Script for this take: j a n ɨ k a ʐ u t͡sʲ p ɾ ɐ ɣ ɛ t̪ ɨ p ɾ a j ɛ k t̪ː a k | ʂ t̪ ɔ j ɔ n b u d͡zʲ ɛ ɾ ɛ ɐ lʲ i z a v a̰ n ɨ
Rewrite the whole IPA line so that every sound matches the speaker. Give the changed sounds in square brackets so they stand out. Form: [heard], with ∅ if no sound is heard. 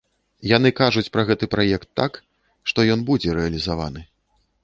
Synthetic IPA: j a n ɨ k a ʐ u t͡sʲ p ɾ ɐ ɣ ɛ t̪ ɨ p ɾ a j ɛ k t̪ː a k | ʂ t̪ ɔ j ɔ n b u d͡zʲ ɛ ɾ ɛ ɐ lʲ i z a v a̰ n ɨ